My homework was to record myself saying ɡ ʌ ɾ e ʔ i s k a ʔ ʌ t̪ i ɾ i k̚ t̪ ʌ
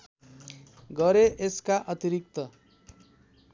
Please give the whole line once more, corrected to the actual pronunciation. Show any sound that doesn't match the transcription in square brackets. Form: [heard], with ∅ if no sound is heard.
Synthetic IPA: ɡ ʌ ɾ e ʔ [e] s k a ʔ ʌ t̪ i ɾ i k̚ t̪ ʌ

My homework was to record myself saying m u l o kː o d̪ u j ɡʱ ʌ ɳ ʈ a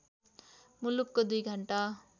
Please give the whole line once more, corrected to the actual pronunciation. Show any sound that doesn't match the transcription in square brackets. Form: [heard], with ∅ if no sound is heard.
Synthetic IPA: m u l [u] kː o d̪ u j ɡʱ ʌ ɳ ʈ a

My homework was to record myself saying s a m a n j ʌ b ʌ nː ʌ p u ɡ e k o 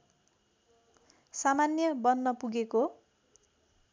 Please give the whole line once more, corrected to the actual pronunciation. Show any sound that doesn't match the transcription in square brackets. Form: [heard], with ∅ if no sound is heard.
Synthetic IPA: s a m a n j ʌ b ʌ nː ʌ p u ɡ e k o

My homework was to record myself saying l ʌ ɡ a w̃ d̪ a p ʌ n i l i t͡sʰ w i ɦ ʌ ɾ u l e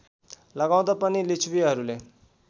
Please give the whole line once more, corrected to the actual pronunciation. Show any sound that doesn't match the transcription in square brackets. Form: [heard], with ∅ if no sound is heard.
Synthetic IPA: l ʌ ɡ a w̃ d̪ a p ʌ n i l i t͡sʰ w i ɦ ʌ ɾ u l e

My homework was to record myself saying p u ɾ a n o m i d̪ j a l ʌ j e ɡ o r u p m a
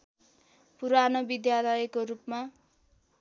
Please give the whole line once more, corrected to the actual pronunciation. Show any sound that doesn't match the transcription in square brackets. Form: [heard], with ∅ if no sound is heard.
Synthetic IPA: p u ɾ a n o [b] i d̪ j a l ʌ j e [k] o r u p m a

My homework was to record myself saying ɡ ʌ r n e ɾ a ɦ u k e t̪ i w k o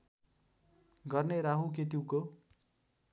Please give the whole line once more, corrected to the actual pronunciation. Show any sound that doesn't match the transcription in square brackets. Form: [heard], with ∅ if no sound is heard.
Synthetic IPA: ɡ ʌ r n e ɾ a ɦ u k e t̪ i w k o

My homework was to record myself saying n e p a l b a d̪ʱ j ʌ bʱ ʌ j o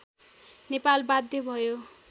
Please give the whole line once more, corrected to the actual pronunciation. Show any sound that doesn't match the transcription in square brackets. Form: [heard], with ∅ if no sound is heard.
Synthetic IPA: n e p a l b a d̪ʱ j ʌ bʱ ʌ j o

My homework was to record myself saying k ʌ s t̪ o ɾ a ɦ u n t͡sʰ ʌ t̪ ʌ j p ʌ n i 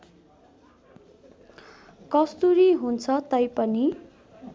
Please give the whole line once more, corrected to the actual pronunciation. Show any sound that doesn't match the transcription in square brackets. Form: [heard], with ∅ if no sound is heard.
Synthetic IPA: k ʌ s t̪ [u] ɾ [i] ɦ u n t͡sʰ ʌ t̪ ʌ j p ʌ n i

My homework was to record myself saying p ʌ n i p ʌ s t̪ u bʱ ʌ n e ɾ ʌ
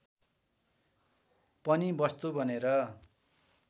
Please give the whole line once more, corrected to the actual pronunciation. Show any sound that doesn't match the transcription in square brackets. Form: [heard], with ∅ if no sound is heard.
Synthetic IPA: p ʌ n i [b] ʌ s t̪ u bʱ ʌ n e ɾ ʌ

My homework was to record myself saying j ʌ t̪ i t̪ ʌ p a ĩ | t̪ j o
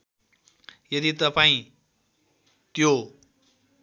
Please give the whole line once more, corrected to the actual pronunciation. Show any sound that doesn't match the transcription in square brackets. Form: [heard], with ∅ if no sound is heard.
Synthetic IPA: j ʌ [d̪] i t̪ ʌ p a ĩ | t̪ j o

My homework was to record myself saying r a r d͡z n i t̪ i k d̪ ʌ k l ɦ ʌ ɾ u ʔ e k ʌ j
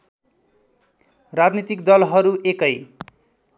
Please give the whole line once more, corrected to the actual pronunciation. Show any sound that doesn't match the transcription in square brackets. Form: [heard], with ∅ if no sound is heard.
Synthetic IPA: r a [∅] d͡z n i t̪ i k d̪ ʌ [∅] l ɦ ʌ ɾ u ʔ e k ʌ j

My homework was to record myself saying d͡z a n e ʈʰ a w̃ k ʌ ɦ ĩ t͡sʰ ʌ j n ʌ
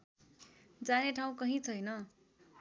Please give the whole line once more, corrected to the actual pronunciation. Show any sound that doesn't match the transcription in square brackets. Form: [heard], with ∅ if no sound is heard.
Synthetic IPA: d͡z a n e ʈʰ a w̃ k ʌ ɦ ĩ t͡sʰ ʌ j n ʌ

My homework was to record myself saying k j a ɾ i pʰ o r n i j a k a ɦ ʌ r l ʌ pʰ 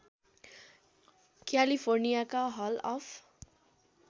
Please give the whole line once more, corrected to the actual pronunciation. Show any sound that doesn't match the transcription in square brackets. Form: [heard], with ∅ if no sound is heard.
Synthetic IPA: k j a [l] i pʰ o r n i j a k a ɦ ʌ [∅] l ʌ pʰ

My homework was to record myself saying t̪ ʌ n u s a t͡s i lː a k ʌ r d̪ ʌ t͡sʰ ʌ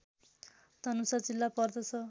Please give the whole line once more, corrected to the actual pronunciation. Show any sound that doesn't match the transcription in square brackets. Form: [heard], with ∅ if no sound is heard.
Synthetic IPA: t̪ ʌ n u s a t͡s i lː a [p] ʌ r d̪ ʌ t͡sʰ ʌ

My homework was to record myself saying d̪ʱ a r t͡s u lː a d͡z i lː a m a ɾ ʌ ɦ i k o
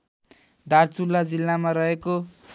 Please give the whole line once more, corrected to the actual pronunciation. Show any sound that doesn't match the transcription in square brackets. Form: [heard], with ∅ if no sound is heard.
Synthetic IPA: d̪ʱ a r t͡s u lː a d͡z i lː a m a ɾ ʌ ɦ [e] k o

